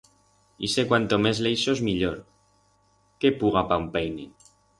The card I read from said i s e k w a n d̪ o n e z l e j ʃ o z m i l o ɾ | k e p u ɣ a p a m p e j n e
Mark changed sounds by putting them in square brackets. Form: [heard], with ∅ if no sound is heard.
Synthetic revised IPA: i s e k w a n [t̪] o [m] e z l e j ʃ o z m i [ʎ] o ɾ | k e p u ɣ a p a m p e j n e